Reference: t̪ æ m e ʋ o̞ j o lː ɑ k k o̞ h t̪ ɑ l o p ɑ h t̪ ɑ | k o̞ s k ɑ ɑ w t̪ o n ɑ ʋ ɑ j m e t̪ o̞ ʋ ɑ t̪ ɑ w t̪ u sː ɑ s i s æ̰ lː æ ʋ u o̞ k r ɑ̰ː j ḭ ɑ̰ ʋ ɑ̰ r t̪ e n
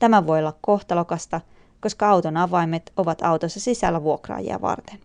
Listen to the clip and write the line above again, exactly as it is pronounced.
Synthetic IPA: t̪ æ m æ ʋ o̞ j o lː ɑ k k o̞ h t̪ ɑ l o k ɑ s t̪ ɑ | k o̞ s k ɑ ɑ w t̪ o n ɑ ʋ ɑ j m e t̪ o̞ ʋ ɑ t̪ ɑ w t̪ o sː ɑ s i s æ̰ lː æ ʋ u o̞ k r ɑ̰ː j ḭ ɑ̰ ʋ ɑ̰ r t̪ e n